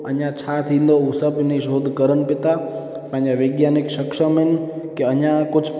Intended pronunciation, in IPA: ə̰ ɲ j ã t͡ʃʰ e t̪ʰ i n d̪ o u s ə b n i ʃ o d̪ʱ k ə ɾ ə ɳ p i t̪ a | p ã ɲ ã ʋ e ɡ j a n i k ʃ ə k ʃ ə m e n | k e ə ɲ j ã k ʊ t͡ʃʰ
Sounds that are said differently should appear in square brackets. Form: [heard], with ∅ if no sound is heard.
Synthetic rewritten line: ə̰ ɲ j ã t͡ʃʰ [a] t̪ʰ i n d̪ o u s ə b n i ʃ o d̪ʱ k ə ɾ ə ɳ p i t̪ a | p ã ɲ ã ʋ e ɡ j a n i k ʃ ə k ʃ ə m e n | k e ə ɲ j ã k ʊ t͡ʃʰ